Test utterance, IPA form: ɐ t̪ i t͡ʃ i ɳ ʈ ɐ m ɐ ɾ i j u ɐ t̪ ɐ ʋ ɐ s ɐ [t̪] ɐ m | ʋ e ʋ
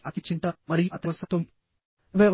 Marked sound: correct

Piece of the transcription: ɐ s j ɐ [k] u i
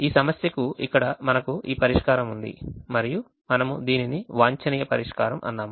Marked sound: correct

